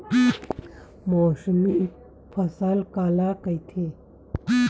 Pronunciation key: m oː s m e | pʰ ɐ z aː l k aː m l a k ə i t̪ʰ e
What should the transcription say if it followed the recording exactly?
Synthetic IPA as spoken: m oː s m i | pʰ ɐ s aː l k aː l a k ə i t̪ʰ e